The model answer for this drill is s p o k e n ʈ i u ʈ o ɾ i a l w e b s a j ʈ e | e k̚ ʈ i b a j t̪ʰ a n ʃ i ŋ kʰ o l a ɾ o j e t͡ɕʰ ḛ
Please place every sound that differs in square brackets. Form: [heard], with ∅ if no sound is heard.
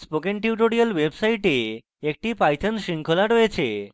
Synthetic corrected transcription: s p o k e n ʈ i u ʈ o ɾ i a l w e b s a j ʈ e | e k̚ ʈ i [p] a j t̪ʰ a n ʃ i ŋ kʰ o l a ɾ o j e t͡ɕʰ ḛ